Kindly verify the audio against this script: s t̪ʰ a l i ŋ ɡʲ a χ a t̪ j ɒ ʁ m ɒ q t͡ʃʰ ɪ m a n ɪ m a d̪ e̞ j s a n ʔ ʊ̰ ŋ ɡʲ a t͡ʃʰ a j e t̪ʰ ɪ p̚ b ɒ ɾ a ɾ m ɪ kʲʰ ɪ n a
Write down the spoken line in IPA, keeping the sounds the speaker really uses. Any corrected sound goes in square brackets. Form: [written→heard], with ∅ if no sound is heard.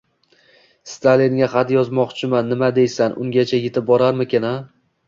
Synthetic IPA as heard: s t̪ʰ a l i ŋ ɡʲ a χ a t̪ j ɒ [ʁ→z] m ɒ q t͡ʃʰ ɪ m a [n→nː] ɪ m a d̪ e̞ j s a n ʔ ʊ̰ ŋ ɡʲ a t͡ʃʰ a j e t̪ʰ ɪ p̚ b ɒ ɾ a ɾ m ɪ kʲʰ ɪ n a